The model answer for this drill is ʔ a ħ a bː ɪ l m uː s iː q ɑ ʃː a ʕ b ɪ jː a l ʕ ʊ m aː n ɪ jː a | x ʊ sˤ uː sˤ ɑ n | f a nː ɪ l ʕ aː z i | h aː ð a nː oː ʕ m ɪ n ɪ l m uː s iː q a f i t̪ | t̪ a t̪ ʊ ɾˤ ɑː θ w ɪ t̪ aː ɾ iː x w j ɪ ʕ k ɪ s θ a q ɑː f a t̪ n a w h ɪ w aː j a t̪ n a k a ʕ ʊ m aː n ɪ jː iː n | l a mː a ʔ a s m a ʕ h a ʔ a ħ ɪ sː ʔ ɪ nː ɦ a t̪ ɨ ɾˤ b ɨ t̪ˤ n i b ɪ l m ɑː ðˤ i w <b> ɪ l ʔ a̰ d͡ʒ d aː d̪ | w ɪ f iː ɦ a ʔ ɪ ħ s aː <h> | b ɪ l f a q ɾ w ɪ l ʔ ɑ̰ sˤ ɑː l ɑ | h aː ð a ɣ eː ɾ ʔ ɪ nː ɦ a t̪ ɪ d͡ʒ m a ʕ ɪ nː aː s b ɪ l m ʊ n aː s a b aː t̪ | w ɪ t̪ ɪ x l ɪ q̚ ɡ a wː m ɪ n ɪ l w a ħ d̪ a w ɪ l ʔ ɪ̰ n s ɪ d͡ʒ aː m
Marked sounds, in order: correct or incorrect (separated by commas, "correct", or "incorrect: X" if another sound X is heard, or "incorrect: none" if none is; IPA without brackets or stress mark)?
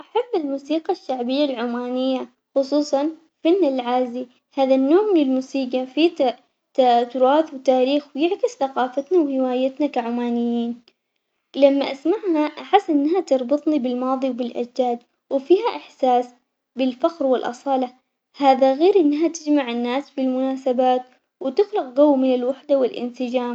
correct, incorrect: s